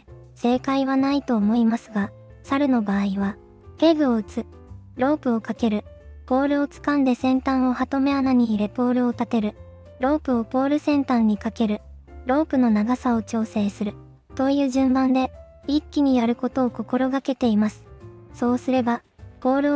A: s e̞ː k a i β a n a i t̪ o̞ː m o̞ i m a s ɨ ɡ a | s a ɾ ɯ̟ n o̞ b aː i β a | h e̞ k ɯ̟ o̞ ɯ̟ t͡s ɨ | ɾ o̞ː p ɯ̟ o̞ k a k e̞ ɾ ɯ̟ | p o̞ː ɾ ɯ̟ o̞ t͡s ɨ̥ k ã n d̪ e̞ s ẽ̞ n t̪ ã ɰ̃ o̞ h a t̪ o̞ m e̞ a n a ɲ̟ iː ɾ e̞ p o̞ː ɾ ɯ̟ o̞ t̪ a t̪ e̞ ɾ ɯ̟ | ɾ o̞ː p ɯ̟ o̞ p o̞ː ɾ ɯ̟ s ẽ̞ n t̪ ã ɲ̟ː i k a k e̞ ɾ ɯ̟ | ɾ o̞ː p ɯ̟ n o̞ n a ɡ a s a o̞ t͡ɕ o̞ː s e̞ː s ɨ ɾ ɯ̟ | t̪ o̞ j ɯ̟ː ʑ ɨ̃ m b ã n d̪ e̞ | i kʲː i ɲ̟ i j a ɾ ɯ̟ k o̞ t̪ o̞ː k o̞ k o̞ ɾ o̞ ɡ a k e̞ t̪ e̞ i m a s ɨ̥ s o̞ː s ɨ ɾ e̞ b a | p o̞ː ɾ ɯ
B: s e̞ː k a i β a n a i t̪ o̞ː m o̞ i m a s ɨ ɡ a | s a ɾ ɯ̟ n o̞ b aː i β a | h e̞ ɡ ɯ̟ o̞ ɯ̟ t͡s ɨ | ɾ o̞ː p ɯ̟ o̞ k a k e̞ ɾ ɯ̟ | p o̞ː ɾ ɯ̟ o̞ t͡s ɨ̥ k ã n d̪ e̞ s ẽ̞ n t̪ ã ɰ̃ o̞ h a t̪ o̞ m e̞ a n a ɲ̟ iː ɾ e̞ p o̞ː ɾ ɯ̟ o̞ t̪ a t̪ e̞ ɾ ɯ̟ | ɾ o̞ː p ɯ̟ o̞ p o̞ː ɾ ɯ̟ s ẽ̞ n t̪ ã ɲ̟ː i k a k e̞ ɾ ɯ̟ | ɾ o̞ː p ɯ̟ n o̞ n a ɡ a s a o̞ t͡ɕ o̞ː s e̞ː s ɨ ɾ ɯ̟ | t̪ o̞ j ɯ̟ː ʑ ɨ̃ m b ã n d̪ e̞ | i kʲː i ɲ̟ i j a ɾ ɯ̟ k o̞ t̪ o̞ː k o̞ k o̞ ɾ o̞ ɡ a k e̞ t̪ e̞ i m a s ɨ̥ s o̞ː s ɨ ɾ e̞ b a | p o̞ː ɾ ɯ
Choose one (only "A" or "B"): B